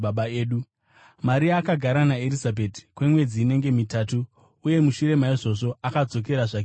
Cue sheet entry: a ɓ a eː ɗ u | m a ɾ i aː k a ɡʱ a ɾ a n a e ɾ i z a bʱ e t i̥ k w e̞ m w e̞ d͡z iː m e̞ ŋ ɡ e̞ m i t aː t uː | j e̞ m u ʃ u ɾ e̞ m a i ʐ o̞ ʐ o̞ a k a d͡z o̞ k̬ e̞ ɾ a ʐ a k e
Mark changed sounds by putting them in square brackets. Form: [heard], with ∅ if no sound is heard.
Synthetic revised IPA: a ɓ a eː ɗ u | m a ɾ i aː k a ɡʱ a ɾ a n a e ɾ i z a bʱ e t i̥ k w e̞ m w e̞ d͡z iː [n] e̞ ŋ ɡ e̞ m i t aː t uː | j e̞ m u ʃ u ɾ e̞ m a i ʐ o̞ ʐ o̞ a k a d͡z o̞ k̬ e̞ ɾ a ʐ a k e